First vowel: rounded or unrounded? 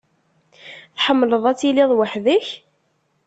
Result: unrounded